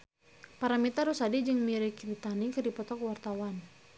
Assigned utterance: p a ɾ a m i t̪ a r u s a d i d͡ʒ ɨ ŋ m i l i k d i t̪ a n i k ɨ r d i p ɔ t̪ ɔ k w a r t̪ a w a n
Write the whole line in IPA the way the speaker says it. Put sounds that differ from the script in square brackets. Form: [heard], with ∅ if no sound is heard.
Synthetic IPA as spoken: p a ɾ a m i t̪ a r u s a d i d͡ʒ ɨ ŋ m i [ɾ] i k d i t̪ a n i k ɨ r d i p ɔ t̪ ɔ k w a r t̪ a w a n